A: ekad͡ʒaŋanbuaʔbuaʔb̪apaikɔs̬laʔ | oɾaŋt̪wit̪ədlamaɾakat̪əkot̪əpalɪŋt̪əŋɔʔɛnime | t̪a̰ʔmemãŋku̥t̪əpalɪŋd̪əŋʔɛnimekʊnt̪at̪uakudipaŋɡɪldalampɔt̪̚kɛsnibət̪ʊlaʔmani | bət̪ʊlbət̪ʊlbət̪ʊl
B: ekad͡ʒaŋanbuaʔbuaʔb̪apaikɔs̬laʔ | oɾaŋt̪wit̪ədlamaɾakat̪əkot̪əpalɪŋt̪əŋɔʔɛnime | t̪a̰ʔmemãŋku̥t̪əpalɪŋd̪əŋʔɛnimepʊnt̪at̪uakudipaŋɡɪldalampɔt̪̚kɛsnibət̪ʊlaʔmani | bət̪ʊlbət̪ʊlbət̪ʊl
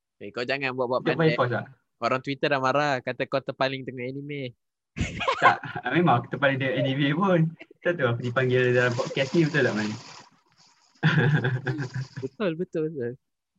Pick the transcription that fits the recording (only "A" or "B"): B